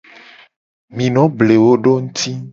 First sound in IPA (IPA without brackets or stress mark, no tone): m